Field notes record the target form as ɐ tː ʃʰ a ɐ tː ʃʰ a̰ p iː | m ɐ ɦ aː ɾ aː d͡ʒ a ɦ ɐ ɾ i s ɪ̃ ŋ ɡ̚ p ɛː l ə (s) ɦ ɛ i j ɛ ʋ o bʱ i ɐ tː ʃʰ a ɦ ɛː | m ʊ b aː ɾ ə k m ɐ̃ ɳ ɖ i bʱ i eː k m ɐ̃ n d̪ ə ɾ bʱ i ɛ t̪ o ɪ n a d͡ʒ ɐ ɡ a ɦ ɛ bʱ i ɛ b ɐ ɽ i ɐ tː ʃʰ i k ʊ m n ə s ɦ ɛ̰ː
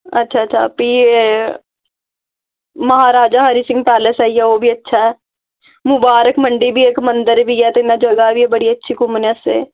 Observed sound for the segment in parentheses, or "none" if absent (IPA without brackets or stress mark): s